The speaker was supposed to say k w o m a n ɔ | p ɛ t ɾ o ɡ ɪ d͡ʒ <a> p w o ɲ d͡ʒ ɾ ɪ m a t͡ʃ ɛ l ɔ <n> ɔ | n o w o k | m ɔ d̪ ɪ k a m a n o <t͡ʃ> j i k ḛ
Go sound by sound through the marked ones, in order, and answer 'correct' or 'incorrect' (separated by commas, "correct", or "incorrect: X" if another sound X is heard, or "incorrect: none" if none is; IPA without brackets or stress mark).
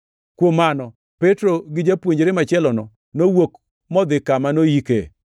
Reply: correct, correct, incorrect: none